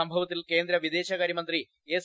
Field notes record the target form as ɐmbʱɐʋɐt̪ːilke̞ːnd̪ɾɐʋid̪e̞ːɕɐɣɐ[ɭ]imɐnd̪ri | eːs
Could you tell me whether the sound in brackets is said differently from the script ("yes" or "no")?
yes